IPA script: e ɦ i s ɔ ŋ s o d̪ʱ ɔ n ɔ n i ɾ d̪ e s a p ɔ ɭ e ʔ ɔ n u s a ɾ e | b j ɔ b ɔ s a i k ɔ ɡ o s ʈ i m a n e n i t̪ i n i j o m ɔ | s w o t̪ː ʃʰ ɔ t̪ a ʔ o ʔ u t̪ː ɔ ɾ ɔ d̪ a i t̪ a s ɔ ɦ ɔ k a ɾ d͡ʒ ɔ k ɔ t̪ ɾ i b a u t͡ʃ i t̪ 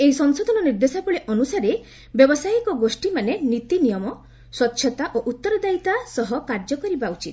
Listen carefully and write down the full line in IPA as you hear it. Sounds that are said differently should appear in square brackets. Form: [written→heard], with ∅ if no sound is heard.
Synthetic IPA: e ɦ i s ɔ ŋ s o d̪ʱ ɔ n ɔ n i ɾ d̪ e s a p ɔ ɭ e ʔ ɔ n u s a ɾ e | b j ɔ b ɔ s a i k ɔ ɡ o s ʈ i m a n e n i t̪ i n i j [o→ɔ] m ɔ | s w [o→ɔ] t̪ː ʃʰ ɔ t̪ a ʔ o ʔ u t̪ː ɔ ɾ ɔ d̪ a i t̪ a s ɔ ɦ ɔ k a ɾ d͡ʒ ɔ k ɔ [t̪→∅] ɾ i b a u t͡ʃ i t̪